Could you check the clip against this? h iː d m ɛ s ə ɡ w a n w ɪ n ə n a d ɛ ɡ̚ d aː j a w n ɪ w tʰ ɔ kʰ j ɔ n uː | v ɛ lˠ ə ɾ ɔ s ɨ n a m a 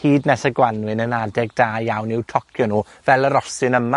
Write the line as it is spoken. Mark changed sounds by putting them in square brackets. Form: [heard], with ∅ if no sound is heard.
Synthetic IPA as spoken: h iː d [n] ɛ s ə ɡ w a n w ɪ n ə n a d ɛ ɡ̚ d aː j a w n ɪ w tʰ ɔ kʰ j ɔ n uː | v ɛ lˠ ə ɾ ɔ s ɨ n [ə] m a